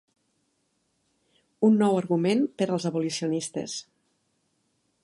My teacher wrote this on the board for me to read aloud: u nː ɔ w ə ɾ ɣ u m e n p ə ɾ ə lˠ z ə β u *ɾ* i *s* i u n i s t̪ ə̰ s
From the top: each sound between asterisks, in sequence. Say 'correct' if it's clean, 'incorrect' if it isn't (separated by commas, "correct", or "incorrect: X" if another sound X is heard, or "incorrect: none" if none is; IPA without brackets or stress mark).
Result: incorrect: l, correct